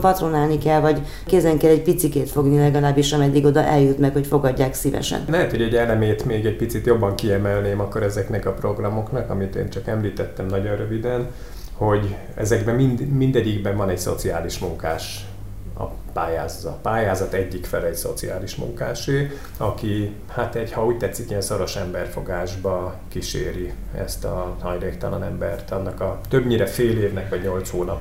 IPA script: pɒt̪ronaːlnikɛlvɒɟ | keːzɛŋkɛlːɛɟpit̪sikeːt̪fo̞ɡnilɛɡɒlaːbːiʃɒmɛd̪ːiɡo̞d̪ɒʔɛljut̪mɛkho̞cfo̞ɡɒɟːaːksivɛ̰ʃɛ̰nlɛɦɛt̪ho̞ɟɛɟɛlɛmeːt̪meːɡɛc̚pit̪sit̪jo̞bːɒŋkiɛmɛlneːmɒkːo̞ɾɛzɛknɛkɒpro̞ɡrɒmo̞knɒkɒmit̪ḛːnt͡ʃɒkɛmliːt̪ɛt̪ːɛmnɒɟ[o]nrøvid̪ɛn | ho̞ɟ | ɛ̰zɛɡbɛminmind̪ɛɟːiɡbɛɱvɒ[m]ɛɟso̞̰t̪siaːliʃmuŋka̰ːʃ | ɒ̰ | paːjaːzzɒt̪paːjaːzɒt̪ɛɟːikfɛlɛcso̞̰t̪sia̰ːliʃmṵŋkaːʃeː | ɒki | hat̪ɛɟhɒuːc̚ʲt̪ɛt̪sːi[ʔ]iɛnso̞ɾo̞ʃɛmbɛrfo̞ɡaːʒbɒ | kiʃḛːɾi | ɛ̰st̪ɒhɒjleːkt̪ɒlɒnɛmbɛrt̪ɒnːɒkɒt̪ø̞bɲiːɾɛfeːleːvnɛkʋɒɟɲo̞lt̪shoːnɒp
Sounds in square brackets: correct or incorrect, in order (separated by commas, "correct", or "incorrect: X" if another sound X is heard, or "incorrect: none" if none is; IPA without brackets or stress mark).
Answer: correct, incorrect: n, incorrect: k